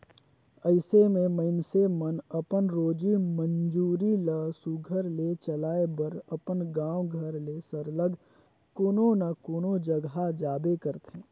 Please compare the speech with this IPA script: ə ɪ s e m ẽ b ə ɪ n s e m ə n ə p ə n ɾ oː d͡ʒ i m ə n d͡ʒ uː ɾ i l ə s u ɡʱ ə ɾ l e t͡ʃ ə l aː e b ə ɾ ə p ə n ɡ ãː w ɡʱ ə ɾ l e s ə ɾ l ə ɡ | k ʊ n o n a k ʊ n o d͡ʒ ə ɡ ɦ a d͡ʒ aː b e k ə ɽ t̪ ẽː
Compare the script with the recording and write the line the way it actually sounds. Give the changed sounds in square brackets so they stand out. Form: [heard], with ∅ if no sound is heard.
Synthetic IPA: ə ɪ s e m ẽ [m] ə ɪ n s e m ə n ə p ə n ɾ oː d͡ʒ i m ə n d͡ʒ uː ɾ i l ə s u ɡʱ ə ɾ l e t͡ʃ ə l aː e b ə ɾ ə p ə n ɡ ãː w ɡʱ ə ɾ l e s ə ɾ l ə ɡ | k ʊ n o n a k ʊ n o d͡ʒ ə ɡ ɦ a d͡ʒ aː b e k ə [ɾ] t̪ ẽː

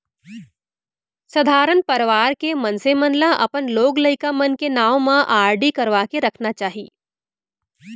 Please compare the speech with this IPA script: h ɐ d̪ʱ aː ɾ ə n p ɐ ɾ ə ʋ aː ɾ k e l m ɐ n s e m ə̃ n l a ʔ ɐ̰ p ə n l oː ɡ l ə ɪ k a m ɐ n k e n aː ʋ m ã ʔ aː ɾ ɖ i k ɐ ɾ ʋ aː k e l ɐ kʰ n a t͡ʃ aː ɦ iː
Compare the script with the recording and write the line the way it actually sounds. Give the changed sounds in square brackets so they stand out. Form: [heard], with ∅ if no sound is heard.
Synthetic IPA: [s] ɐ d̪ʱ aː ɾ ə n p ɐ ɾ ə ʋ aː ɾ k e [∅] m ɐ n s e m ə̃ n l a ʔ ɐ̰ p ə n l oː ɡ l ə ɪ k a m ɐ n k e n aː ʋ m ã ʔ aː ɾ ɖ i k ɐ ɾ ʋ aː k e [ɾ] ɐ kʰ n a t͡ʃ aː ɦ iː

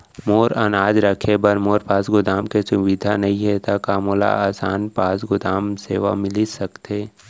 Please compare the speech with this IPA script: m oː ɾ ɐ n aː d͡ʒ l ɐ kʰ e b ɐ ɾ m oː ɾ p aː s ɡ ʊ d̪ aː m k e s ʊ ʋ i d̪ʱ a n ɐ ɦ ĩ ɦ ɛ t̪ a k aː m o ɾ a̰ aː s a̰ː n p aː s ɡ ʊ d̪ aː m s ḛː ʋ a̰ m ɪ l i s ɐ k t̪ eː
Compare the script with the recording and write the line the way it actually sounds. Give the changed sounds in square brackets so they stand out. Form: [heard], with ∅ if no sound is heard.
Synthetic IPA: m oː ɾ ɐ n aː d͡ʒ [ɾ] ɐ kʰ e b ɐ ɾ m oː ɾ p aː s ɡ ʊ d̪ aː m k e s ʊ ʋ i d̪ʱ a n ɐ ɦ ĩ ɦ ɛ t̪ a k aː m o [l] a̰ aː s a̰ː n p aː s ɡ ʊ d̪ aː m s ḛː ʋ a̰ m ɪ l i s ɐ k t̪ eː

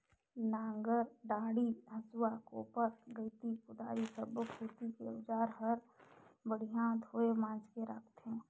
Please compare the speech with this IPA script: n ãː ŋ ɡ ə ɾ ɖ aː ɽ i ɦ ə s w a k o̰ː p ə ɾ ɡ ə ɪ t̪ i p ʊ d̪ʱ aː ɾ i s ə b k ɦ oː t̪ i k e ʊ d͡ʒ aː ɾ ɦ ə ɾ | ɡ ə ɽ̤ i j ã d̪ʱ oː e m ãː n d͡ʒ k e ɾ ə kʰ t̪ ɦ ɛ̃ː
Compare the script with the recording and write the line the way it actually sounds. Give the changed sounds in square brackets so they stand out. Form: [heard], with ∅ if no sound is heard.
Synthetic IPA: n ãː ŋ ɡ ə ɾ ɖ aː ɽ i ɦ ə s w a k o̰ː p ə ɾ ɡ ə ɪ t̪ i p ʊ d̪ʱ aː ɾ i s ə b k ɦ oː t̪ i k e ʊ d͡ʒ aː ɾ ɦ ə ɾ | [b] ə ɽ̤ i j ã d̪ʱ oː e m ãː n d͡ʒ k e ɾ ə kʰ t̪ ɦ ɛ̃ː

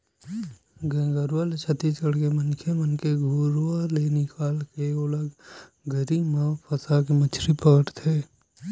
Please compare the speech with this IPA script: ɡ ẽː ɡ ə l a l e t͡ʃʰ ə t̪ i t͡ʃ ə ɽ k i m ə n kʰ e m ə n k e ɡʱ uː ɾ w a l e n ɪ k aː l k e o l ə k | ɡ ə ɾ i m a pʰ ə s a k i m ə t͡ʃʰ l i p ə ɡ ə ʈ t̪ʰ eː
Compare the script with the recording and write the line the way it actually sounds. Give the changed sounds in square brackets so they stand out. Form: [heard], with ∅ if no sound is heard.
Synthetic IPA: ɡ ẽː ɡ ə [ɾ] a l e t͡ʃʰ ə t̪ i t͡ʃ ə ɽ k [e] m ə n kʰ e m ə n k e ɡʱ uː ɾ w a l e n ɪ k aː l k e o l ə [ɡ] | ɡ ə ɾ i m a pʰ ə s a k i m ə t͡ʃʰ [ɾ] i p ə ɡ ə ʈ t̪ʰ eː

